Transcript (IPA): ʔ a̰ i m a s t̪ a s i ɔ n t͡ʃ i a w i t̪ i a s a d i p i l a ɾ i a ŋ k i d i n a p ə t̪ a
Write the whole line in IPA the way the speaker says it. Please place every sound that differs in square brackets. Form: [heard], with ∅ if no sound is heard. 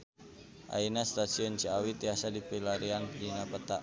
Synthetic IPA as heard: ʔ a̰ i [n] a s t̪ a s i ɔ n t͡ʃ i a w i t̪ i a s a d i p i l a ɾ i a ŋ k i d i n a p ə t̪ a

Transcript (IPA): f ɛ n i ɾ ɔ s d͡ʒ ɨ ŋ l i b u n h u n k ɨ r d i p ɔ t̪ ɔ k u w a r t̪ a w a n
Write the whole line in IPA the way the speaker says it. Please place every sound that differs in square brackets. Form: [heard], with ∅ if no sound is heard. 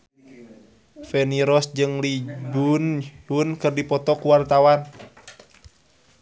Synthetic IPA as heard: f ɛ n i ɾ ɔ s d͡ʒ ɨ ŋ l i b u n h u n k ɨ r d i p ɔ t̪ ɔ k u w a r t̪ a w a n

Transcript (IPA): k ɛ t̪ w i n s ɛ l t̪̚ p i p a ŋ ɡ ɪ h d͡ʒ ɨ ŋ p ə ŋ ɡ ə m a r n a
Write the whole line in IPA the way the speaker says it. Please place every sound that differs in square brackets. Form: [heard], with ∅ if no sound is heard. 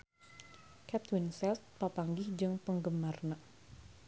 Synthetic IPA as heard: k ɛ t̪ w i n s ɛ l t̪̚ p [a] p a ŋ ɡ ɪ h d͡ʒ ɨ ŋ p ə ŋ ɡ ə m a r n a

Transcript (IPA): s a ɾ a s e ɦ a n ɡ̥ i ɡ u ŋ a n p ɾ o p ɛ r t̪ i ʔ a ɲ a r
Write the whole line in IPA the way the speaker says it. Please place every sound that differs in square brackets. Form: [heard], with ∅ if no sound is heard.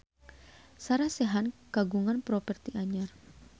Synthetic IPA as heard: s a ɾ a s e ɦ a n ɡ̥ [a] ɡ u ŋ a n p ɾ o p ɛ r t̪ i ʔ a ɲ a r

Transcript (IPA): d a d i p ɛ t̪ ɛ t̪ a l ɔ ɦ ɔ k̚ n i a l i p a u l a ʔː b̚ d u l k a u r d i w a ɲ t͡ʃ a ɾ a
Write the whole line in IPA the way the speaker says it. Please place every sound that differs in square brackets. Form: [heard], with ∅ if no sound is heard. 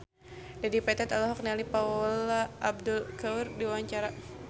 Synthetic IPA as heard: d a d i p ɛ t̪ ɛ t̪ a l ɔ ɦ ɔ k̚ n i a l i p a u l a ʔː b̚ d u l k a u r d i w a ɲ t͡ʃ a ɾ a

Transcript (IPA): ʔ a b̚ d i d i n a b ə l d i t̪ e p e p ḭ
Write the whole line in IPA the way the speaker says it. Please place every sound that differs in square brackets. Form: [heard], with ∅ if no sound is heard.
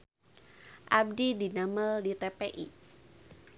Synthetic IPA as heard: ʔ a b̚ d i d i n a [m] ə l d i t̪ e p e [ʔ] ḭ

